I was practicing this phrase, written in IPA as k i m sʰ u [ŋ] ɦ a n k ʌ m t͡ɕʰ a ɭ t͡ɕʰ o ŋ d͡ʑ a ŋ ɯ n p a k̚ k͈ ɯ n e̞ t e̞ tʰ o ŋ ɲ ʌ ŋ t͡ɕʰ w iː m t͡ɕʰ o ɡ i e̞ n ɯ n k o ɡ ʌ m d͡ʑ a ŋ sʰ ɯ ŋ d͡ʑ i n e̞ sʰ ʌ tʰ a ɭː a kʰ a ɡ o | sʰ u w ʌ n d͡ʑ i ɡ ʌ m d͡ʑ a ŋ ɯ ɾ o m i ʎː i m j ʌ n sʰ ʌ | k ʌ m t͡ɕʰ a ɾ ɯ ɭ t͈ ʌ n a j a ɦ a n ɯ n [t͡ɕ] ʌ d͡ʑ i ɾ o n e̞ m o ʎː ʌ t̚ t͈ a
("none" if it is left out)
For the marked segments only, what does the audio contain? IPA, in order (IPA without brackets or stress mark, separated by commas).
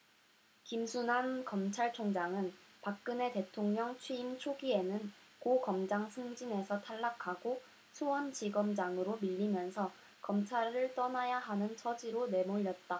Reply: n, t͡ɕʰ